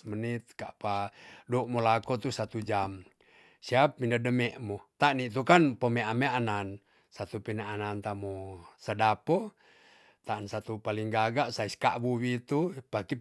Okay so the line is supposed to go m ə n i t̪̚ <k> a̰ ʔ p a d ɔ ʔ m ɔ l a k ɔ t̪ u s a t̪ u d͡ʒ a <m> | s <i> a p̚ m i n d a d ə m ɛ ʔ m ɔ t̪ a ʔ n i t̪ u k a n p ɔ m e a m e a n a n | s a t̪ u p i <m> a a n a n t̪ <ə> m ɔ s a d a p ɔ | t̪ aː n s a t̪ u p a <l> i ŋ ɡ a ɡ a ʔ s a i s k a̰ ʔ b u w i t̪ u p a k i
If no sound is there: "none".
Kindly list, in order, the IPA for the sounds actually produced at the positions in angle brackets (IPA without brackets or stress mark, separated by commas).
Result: k, m, i, n, a, l